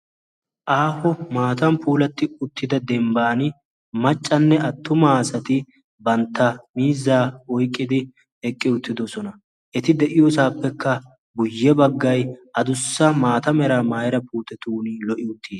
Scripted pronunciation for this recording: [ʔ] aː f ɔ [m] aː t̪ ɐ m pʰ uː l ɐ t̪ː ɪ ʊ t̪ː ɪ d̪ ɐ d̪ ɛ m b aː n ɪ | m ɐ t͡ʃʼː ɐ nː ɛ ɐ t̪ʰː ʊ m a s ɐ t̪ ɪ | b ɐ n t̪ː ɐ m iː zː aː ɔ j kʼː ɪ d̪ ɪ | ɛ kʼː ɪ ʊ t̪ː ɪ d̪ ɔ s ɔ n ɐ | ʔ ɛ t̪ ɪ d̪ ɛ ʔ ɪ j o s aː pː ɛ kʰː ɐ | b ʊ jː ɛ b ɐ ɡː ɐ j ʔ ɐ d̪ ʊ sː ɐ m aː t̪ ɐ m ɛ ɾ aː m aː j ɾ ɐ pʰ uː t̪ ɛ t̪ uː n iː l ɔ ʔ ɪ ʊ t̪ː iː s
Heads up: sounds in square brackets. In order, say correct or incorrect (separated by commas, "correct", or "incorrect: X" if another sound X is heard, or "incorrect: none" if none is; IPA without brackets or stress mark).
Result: correct, correct